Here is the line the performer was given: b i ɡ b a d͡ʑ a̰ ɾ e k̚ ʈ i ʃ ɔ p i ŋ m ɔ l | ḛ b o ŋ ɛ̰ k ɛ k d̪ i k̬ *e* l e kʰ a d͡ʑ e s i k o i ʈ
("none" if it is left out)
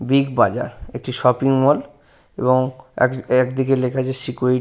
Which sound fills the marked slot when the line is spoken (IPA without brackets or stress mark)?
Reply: e